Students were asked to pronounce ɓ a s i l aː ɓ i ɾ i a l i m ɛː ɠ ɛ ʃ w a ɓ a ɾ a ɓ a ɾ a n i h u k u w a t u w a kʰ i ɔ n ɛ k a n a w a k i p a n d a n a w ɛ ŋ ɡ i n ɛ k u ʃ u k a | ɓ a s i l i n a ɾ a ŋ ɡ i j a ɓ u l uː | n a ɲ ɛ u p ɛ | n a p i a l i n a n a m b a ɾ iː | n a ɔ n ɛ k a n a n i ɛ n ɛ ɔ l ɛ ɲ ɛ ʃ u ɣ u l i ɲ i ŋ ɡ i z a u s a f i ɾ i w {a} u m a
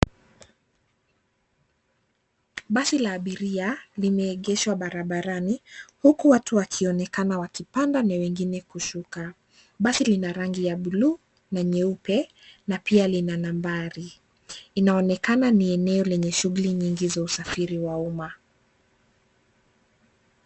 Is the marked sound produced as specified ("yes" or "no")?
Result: yes